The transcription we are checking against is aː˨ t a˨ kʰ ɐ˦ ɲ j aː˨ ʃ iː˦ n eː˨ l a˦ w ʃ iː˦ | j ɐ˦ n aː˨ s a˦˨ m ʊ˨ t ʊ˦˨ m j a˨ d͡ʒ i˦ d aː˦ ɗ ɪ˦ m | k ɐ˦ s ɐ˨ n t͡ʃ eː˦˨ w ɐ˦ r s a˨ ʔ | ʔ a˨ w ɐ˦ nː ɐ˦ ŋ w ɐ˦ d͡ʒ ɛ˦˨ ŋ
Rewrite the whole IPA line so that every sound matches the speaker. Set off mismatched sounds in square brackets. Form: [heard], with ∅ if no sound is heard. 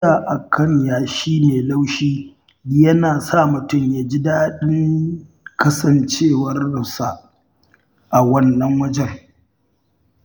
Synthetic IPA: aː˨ [ʔ] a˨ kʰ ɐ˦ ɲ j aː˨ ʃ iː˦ n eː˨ l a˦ w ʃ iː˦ | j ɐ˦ n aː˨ s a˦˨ m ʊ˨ t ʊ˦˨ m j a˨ d͡ʒ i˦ d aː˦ ɗ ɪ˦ [ŋ] | k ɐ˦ s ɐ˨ n t͡ʃ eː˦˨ w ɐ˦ r s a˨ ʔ | ʔ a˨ w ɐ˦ nː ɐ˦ ŋ w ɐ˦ d͡ʒ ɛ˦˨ ŋ